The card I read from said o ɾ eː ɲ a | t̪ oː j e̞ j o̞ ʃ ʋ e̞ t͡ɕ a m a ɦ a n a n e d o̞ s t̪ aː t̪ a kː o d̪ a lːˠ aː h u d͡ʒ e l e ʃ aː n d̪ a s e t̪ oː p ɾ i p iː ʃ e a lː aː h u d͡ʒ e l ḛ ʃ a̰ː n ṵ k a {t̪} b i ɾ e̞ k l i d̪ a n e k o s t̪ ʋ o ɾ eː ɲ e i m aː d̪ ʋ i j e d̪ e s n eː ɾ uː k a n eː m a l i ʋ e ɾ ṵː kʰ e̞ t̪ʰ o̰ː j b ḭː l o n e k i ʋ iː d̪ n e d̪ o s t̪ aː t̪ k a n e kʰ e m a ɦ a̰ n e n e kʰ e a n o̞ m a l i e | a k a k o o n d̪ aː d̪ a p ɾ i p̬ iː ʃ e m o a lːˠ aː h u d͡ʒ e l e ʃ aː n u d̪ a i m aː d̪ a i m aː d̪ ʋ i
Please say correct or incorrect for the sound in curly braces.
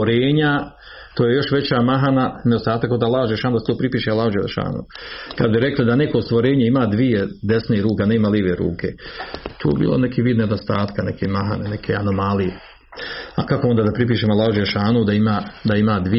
incorrect